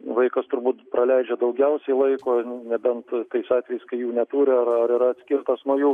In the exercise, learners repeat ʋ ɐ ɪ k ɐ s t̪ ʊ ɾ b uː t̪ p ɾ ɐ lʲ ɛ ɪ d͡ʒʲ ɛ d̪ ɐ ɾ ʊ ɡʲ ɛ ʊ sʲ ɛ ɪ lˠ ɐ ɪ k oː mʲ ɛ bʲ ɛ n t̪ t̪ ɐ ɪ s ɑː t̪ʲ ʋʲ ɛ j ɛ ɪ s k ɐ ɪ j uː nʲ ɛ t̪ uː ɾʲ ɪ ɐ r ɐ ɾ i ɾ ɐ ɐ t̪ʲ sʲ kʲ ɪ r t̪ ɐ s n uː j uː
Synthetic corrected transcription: ʋ ɐ ɪ k ɐ s t̪ ʊ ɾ b uː t̪ p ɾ ɐ lʲ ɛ ɪ d͡ʒʲ ɛ d̪ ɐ ʊ ɡʲ ɛ ʊ sʲ ɛ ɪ lˠ ɐ ɪ k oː nʲ ɛ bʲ ɛ n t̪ t̪ ɐ ɪ s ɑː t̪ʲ ʋʲ ɛ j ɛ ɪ s k ɐ ɪ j uː nʲ ɛ t̪ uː ɾʲ ɪ ɐ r ɐ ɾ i ɾ ɐ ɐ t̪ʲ sʲ kʲ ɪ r t̪ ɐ s n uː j uː